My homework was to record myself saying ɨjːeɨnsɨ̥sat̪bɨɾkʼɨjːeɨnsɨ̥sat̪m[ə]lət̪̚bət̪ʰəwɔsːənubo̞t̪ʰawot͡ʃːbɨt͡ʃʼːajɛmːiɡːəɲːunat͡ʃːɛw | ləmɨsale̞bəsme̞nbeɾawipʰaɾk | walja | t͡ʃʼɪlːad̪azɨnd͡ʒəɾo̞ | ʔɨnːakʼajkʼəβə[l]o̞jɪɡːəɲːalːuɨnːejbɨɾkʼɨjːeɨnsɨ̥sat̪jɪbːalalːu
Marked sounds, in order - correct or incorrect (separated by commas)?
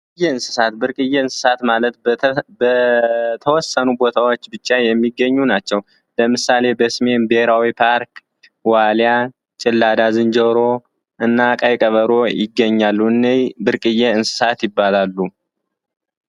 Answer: incorrect, incorrect